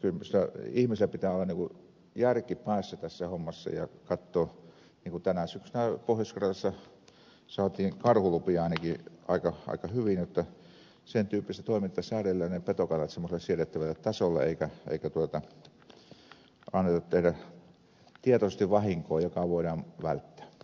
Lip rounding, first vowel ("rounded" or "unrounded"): rounded